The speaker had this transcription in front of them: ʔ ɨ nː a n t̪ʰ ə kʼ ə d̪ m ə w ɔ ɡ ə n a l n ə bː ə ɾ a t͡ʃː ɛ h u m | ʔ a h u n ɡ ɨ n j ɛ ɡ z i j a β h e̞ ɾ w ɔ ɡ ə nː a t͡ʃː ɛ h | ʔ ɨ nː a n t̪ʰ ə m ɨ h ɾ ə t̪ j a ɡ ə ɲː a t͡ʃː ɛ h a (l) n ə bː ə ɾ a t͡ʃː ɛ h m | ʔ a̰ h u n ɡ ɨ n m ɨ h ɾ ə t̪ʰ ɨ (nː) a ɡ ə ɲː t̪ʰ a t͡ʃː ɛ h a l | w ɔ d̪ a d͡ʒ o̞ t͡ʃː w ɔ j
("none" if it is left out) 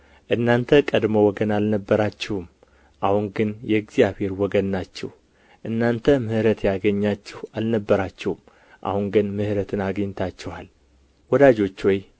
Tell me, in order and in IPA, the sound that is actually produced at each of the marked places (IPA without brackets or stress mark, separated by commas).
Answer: l, n